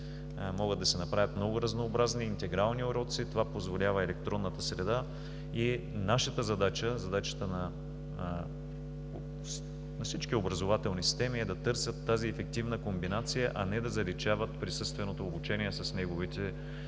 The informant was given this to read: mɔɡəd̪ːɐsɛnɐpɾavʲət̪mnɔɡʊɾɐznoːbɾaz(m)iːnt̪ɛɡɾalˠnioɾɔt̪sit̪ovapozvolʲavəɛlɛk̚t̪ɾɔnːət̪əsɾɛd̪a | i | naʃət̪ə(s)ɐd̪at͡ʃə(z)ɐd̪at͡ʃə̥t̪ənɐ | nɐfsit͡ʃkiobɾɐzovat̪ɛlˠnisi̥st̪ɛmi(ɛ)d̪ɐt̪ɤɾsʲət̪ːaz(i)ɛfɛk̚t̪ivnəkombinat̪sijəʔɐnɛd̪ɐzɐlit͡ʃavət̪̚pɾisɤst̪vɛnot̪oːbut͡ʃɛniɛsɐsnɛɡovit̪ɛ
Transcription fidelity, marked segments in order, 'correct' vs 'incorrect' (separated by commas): incorrect, incorrect, correct, correct, correct